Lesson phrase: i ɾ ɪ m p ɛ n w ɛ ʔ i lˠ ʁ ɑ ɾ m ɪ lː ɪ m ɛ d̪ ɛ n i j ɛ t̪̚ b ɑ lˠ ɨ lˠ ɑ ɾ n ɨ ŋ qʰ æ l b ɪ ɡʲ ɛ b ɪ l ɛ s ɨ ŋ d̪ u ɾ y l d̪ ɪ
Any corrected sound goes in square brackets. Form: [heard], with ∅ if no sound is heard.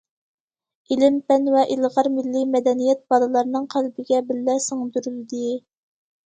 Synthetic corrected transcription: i [l] ɪ m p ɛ n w ɛ ʔ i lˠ ʁ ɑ ɾ m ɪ lː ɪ m ɛ d̪ ɛ n i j ɛ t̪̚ b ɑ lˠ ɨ lˠ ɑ ɾ n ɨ ŋ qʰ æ l b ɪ ɡʲ ɛ b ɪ [lː] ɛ s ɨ ŋ d̪ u ɾ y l d̪ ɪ